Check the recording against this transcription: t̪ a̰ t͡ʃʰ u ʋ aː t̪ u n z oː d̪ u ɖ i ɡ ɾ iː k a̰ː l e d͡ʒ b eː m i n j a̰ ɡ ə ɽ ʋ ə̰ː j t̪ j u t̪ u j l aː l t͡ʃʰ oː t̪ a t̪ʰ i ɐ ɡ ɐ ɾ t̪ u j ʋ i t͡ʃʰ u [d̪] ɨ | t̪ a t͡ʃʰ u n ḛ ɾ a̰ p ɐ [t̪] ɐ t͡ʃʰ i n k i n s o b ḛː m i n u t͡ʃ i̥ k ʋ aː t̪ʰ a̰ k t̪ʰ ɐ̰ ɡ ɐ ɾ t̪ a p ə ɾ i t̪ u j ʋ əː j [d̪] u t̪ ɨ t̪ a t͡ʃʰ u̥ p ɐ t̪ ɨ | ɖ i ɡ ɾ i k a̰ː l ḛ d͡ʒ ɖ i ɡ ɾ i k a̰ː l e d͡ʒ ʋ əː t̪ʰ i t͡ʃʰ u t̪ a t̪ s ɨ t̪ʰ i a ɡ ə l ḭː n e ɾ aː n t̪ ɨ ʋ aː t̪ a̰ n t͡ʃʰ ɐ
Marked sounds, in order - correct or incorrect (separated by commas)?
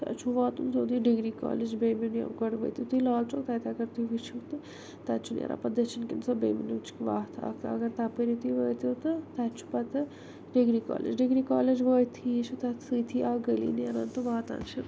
incorrect, incorrect, incorrect